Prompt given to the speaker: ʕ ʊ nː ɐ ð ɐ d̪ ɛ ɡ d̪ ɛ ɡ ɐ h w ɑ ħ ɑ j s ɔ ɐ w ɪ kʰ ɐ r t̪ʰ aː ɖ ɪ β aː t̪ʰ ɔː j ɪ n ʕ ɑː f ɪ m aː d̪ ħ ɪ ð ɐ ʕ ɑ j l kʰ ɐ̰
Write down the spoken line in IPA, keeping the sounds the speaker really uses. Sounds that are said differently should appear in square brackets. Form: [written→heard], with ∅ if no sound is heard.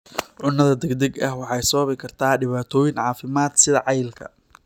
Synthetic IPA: ʕ ʊ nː ɐ ð ɐ d̪ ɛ ɡ d̪ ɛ ɡ ɐ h w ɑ ħ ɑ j s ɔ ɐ [w→β] ɪ kʰ ɐ r t̪ʰ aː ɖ ɪ β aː t̪ʰ ɔː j ɪ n ʕ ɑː f ɪ m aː d̪ [ħ→s] ɪ ð ɐ ʕ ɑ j l kʰ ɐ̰